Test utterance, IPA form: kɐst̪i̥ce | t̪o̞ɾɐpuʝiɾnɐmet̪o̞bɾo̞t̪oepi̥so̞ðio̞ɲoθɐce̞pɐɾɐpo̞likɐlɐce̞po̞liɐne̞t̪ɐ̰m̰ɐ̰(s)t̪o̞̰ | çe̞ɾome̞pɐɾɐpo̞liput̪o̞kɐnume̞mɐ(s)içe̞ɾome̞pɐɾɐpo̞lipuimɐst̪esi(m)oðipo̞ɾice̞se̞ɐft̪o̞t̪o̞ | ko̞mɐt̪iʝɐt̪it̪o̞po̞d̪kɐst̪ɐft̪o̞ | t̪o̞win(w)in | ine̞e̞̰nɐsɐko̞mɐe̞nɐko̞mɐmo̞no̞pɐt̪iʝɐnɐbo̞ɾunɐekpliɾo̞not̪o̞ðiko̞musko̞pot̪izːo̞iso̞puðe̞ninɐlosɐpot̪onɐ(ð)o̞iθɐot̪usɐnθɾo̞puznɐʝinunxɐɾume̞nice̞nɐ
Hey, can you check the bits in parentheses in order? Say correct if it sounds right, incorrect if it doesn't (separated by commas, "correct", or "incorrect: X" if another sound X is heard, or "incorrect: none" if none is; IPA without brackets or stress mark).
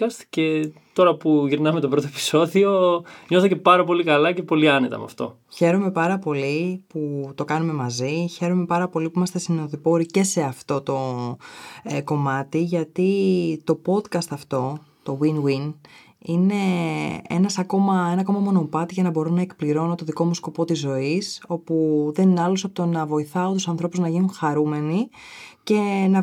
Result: incorrect: f, incorrect: z, incorrect: n, correct, incorrect: v